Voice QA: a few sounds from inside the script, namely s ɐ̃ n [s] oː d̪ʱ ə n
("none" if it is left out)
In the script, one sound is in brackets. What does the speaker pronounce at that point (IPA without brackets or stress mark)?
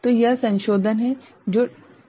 ʃ